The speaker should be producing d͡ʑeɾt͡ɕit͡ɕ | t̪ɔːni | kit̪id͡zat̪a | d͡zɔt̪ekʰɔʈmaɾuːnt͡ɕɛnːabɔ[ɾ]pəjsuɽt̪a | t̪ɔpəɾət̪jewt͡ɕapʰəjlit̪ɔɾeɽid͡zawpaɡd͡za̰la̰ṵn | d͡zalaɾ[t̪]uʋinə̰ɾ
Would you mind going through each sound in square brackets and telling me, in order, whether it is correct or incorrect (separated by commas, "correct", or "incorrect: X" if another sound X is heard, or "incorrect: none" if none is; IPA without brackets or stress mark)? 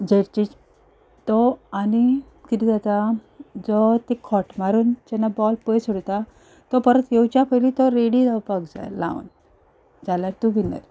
incorrect: l, correct